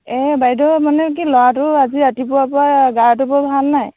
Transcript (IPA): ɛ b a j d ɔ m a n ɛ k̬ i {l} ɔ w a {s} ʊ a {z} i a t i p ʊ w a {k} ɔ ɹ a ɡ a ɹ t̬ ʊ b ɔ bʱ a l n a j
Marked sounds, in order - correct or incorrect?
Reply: correct, incorrect: t, correct, incorrect: p

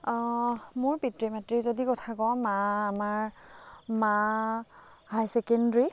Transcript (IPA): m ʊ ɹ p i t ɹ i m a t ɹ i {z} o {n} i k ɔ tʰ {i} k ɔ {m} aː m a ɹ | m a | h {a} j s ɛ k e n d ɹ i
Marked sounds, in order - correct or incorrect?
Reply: correct, incorrect: d, incorrect: a, correct, correct

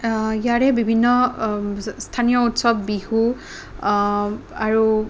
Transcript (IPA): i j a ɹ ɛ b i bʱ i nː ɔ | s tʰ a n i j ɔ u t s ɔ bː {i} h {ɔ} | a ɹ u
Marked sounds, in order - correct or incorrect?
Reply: correct, incorrect: u

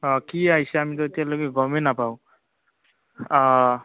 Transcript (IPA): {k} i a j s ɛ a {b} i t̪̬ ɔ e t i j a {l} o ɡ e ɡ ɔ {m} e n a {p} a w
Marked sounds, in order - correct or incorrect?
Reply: correct, incorrect: m, correct, correct, correct

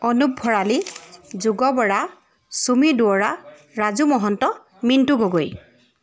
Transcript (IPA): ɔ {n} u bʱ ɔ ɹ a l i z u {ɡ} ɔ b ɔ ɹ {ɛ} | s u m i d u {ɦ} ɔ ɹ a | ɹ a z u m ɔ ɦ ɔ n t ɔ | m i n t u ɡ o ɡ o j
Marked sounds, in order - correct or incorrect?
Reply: correct, correct, incorrect: a, incorrect: none

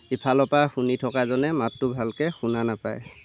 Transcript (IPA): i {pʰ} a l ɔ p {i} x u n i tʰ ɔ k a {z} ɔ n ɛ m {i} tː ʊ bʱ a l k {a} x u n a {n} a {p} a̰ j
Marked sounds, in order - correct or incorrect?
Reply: correct, incorrect: a, correct, incorrect: a, incorrect: ɛ, correct, correct

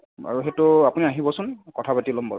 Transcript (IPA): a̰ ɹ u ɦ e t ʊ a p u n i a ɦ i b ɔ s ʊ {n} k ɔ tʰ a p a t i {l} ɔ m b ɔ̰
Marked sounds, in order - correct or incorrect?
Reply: correct, correct

